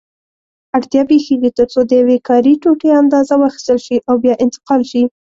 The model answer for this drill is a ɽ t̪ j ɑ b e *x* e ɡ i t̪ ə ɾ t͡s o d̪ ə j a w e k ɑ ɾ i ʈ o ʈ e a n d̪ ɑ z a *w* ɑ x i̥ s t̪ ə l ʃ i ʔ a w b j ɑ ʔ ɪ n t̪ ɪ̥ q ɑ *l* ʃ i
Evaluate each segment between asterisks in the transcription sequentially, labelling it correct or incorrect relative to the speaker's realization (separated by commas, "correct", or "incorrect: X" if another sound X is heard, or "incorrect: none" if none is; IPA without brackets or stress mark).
correct, correct, correct